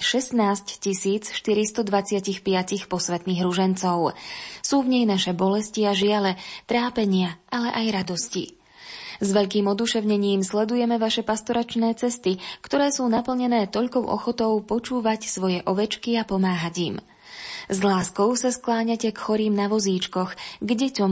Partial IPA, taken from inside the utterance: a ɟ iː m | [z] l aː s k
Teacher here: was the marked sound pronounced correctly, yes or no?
yes